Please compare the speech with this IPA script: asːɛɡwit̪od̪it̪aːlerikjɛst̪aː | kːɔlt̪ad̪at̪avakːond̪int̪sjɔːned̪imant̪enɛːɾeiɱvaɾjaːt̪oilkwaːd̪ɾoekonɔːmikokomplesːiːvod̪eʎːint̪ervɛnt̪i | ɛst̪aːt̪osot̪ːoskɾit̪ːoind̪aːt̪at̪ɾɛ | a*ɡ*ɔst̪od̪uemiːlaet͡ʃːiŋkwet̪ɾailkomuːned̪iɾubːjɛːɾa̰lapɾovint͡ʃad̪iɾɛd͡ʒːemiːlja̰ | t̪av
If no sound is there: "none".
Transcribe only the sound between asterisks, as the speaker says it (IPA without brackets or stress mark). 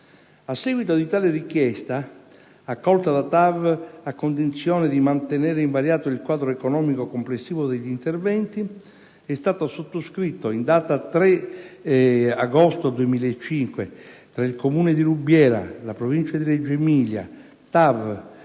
ɡ